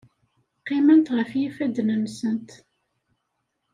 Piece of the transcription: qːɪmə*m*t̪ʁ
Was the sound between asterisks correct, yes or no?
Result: no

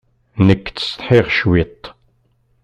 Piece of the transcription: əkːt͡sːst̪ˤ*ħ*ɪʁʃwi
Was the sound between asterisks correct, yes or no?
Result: yes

